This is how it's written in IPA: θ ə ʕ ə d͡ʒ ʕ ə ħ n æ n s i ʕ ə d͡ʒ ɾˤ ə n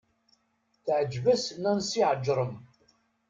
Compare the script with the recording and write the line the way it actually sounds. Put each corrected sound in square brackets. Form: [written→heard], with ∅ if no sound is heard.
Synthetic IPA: θ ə ʕ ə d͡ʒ [ʕ→v] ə [ħ→s] n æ n s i ʕ ə d͡ʒ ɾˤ ə [n→m]